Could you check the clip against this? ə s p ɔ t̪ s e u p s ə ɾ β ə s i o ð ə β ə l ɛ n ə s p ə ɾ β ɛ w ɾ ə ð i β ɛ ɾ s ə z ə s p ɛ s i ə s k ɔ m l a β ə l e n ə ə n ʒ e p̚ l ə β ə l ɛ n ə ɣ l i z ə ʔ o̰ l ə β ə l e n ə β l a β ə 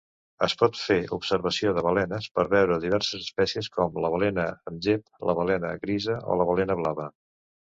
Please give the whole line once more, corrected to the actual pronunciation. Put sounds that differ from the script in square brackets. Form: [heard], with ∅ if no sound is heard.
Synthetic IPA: ə s p ɔ t̪ [f] e u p s ə ɾ β ə s i o ð ə β ə l ɛ n ə s p ə ɾ β ɛ w ɾ ə ð i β ɛ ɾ s ə z ə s p ɛ s i ə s k ɔ m l [ə] β ə l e n ə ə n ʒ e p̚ l ə β ə l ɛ n ə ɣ [ɾ] i z ə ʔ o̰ l ə β ə l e n ə β l a β ə